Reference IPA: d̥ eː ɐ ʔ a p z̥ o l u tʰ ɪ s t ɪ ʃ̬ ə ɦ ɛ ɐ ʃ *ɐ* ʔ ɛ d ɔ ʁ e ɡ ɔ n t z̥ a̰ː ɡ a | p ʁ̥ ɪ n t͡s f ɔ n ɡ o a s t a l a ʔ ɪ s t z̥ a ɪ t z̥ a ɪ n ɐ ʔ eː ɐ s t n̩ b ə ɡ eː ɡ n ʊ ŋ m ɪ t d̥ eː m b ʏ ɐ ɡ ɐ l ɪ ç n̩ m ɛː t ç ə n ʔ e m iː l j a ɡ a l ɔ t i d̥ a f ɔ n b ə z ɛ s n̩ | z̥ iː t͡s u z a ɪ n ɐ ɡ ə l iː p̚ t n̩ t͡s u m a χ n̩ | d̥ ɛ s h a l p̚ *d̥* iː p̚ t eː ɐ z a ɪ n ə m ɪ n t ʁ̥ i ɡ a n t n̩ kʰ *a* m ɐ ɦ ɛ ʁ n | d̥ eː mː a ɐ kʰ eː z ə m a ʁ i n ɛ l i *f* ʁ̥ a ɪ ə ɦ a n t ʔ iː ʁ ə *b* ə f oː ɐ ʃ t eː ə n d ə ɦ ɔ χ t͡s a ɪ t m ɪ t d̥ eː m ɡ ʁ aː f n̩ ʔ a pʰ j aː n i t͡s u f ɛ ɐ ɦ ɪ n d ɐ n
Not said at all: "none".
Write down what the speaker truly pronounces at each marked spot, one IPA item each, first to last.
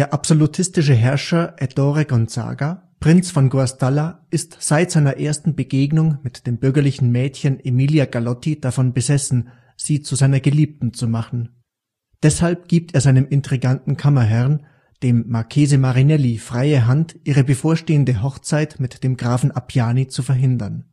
ɐ, ɡ̥, a, f, b

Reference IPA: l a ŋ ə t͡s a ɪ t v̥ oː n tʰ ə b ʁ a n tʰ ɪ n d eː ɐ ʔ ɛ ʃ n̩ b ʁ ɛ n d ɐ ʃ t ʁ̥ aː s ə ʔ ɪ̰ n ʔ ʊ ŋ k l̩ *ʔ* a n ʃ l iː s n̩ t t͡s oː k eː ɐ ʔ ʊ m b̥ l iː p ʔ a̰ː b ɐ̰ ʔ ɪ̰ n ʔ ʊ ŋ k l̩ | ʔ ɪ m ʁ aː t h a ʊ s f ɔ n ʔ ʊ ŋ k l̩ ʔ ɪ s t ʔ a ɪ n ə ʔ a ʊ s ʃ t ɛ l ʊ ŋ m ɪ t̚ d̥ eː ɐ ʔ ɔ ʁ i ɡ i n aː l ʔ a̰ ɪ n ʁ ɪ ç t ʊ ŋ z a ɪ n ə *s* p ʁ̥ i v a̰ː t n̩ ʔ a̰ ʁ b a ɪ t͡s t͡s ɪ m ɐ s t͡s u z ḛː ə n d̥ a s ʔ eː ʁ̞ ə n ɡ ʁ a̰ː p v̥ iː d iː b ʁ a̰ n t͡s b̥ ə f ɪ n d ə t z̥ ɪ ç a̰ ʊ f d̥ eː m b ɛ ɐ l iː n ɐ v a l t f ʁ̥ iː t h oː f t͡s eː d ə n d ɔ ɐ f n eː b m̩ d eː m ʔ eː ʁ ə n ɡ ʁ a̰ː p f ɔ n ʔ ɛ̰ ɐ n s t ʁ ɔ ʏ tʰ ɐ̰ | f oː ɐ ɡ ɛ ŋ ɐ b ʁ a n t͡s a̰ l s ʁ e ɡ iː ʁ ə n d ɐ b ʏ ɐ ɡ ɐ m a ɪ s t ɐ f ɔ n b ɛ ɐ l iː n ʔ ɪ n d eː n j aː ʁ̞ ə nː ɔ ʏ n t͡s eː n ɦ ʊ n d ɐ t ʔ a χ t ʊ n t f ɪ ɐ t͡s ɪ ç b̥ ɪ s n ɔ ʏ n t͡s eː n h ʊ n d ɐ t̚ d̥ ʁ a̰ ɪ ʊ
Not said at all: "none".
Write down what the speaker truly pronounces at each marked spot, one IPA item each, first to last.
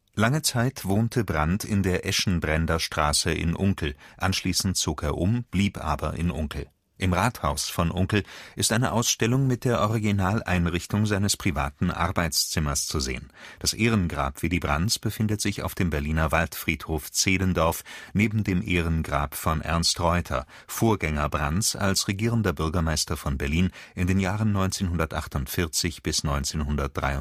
ʔ, s

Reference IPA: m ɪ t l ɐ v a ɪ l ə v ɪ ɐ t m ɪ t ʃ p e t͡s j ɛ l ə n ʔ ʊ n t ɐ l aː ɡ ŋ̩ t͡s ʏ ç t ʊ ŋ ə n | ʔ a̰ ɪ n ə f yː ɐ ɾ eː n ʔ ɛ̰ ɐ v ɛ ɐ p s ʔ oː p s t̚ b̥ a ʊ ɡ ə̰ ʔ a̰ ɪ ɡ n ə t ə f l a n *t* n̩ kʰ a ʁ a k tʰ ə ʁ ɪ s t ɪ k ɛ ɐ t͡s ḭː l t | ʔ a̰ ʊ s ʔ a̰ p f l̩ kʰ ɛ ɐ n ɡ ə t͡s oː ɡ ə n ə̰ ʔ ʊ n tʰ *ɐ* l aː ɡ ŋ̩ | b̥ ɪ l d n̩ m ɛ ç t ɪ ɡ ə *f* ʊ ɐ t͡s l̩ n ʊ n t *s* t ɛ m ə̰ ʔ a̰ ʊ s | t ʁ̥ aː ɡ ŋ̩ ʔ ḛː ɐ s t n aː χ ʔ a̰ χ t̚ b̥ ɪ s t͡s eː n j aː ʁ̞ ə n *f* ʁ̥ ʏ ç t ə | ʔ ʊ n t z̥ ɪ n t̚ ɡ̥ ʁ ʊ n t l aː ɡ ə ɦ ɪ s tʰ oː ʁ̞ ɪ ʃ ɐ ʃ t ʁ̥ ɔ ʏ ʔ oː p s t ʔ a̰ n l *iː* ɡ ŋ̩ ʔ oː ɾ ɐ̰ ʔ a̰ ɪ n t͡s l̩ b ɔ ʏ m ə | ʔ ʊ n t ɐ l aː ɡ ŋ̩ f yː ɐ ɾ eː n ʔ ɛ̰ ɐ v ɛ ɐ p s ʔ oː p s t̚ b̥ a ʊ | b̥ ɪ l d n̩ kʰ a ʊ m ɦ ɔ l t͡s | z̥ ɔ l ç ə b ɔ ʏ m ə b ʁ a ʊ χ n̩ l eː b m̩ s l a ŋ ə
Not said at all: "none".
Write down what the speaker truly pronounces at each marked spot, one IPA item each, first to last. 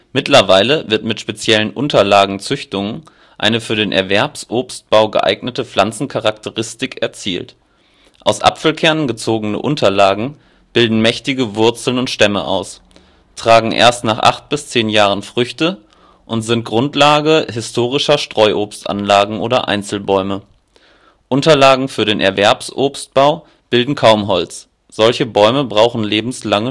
t͡s, ɐ, v, ʃ, f, aː

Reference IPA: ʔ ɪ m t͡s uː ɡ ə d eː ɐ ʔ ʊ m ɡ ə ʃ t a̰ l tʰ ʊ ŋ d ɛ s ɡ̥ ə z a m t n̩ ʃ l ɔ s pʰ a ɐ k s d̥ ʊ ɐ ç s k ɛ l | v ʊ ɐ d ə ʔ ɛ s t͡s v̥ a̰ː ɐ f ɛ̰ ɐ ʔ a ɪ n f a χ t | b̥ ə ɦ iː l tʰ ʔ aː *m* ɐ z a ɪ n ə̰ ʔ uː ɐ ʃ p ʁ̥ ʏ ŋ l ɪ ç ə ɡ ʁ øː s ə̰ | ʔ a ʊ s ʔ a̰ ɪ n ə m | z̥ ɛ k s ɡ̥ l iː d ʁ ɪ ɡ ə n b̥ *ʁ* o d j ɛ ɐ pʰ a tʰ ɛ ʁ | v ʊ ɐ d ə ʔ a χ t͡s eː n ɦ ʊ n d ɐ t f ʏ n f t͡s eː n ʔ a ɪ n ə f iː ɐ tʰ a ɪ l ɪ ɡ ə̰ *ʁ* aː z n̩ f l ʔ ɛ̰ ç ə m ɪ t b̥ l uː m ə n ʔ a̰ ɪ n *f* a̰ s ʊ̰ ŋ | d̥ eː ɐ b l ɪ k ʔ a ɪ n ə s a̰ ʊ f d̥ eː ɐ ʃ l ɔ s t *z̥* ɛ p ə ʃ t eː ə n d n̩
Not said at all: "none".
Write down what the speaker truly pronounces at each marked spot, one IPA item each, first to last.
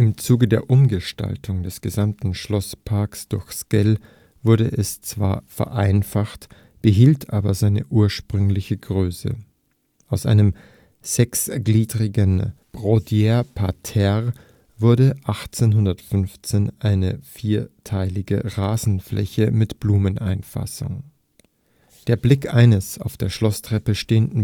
b, ʁ, ʁ, f, ʁ̥

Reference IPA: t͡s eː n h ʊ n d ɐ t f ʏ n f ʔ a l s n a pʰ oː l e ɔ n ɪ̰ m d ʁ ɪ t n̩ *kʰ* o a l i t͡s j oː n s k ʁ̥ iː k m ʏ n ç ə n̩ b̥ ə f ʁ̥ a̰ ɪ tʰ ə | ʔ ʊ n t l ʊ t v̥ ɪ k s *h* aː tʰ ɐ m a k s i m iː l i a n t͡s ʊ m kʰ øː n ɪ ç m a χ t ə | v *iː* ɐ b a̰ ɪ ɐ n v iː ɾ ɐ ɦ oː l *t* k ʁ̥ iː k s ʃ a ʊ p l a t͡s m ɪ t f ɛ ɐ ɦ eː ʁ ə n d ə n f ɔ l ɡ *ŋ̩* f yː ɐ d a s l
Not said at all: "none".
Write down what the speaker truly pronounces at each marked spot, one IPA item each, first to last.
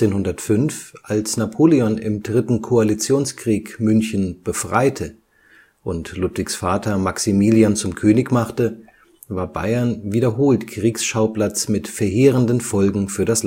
kʰ, f, aː, t, ŋ̩

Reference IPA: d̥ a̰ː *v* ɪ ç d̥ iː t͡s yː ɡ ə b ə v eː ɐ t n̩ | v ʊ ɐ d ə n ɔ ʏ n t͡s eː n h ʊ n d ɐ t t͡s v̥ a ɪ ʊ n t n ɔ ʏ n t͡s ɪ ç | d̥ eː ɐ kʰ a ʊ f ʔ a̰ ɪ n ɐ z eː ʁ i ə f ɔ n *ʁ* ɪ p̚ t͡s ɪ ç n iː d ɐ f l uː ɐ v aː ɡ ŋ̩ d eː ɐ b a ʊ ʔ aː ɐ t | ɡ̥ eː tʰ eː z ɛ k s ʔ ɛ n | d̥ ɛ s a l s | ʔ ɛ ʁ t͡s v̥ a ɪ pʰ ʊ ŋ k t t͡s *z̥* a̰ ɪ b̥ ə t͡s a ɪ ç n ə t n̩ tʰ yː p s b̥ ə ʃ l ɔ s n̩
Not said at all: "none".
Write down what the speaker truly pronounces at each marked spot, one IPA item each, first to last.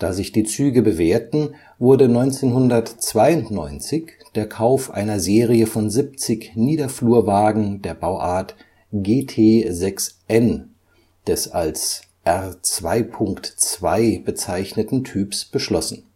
z, z, v̥

